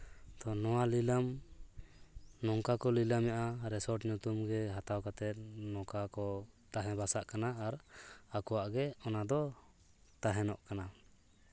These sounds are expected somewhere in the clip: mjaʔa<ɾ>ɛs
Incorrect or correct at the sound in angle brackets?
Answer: correct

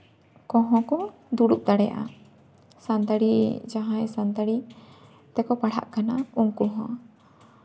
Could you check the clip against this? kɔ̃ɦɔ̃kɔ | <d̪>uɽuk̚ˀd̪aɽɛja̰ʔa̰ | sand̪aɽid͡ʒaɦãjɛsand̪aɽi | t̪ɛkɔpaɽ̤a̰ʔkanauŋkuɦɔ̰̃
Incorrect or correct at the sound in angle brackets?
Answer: correct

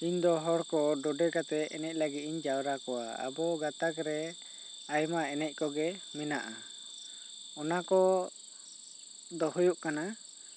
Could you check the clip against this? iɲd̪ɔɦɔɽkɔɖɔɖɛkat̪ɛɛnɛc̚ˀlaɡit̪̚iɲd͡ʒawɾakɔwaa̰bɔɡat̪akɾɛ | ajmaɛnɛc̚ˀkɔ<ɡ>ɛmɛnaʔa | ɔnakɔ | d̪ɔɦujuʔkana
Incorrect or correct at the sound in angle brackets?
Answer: correct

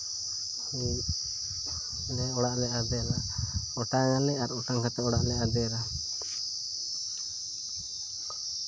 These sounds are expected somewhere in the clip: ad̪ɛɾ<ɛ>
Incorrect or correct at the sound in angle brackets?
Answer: incorrect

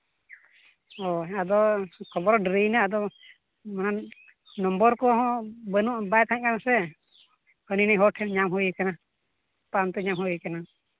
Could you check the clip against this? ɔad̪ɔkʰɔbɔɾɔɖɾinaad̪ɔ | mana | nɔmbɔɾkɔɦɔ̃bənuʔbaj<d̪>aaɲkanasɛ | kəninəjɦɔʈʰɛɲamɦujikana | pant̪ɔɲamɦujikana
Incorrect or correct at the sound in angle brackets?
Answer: incorrect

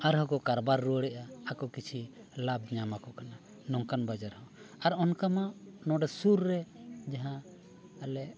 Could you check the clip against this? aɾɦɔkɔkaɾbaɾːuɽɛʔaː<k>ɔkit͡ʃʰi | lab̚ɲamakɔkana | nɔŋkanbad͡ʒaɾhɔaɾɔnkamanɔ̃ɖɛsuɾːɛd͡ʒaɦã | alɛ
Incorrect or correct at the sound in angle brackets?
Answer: correct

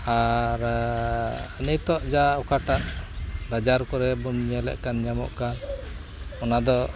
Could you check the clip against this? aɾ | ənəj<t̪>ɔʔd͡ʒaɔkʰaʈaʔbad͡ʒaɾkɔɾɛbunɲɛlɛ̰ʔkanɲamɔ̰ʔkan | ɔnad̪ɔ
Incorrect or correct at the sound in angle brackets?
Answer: correct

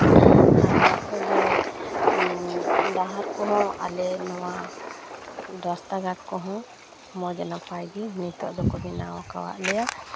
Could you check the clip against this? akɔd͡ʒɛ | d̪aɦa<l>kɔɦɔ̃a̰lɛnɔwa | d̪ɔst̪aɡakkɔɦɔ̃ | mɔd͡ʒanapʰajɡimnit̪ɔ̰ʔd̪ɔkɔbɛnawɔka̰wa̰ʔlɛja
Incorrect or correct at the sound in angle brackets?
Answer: incorrect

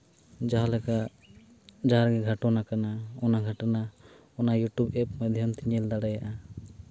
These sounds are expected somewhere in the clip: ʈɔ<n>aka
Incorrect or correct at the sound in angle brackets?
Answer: correct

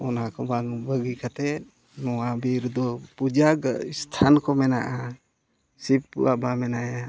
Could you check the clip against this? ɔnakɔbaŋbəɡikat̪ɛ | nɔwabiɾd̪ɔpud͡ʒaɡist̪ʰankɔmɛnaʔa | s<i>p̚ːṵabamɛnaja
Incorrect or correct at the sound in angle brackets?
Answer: correct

